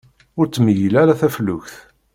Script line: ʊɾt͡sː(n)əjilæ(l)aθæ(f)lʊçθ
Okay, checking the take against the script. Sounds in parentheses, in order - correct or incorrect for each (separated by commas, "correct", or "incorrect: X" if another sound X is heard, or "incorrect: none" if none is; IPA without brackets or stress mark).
incorrect: m, incorrect: ɾ, correct